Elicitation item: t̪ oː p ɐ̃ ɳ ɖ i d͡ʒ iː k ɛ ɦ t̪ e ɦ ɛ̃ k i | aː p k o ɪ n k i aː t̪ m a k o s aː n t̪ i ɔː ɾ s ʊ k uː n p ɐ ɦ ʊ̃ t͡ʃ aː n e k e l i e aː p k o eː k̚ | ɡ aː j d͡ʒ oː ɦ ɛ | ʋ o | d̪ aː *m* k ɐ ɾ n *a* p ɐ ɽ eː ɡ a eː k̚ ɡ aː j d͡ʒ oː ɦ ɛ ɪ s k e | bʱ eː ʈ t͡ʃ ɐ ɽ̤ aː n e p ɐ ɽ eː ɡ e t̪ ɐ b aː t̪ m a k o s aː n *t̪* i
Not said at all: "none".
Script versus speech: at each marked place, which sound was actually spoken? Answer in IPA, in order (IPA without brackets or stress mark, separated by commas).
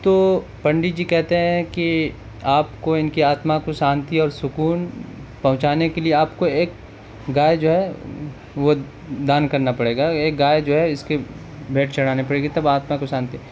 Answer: n, a, t̪